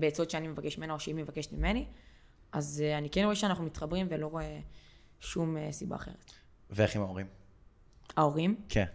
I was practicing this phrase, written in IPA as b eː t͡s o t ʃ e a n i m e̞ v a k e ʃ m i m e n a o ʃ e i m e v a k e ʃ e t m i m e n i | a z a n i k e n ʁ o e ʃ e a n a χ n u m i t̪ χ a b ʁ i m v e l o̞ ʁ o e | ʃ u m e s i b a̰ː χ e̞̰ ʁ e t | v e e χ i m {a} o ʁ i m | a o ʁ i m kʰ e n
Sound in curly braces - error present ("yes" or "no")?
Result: no